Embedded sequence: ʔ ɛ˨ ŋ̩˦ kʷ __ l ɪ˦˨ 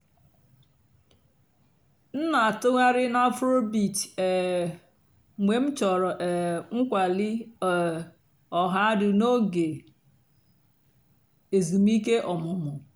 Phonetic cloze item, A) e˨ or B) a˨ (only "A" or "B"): B